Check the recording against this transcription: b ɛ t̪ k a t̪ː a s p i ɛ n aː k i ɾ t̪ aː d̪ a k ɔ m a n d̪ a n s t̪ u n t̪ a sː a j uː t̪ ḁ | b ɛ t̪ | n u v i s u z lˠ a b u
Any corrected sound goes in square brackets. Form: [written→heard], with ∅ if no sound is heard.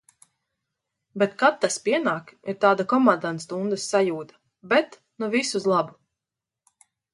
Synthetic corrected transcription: b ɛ t̪ k a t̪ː a s p i ɛ n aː k i ɾ t̪ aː d̪ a k ɔ m a n d̪ a n s t̪ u n [t̪→d̪] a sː a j uː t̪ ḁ | b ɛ t̪ | n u v i s u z lˠ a b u